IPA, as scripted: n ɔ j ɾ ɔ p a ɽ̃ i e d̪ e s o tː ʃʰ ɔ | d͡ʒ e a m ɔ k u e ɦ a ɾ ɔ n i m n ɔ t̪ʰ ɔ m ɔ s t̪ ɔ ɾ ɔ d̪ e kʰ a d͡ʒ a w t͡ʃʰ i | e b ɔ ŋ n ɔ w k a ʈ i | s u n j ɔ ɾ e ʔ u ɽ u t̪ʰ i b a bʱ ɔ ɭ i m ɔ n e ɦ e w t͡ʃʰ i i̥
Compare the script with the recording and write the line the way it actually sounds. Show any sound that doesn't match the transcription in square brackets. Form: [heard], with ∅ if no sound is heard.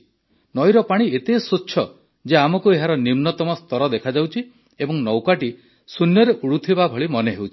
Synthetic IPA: n ɔ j ɾ ɔ p a ɽ̃ i e [t̪] e s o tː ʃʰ ɔ | d͡ʒ e a m ɔ k u e ɦ a ɾ ɔ n i m n ɔ [t̪] ɔ m ɔ s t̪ ɔ ɾ ɔ d̪ e kʰ a d͡ʒ a w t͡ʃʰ i | e b ɔ ŋ n ɔ w k a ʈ i | s u n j ɔ ɾ e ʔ u ɽ u t̪ʰ i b a bʱ ɔ ɭ i m ɔ n e ɦ e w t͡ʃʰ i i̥